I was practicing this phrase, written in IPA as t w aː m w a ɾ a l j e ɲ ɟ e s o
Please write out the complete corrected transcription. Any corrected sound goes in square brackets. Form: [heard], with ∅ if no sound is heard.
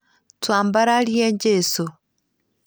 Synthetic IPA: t w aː m [b] a ɾ a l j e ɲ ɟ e s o